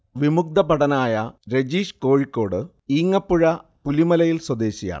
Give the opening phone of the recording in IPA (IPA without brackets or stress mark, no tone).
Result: ʋ